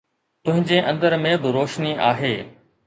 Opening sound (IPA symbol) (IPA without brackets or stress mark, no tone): t̪